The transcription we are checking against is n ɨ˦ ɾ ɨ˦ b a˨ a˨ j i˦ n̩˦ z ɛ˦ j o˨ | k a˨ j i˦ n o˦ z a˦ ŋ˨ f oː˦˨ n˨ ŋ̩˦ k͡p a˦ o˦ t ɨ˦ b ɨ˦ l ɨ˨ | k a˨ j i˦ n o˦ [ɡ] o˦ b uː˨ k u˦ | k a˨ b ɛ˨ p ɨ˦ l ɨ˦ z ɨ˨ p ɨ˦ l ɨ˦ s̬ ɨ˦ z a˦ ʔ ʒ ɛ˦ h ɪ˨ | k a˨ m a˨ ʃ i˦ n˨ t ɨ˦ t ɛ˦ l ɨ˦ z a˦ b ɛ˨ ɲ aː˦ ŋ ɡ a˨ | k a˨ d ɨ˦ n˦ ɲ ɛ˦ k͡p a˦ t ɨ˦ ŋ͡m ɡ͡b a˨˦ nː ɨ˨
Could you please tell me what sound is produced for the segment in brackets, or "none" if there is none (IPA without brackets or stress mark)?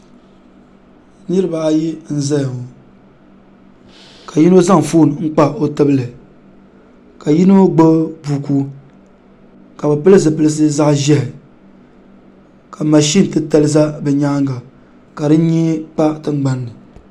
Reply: ɡ͡b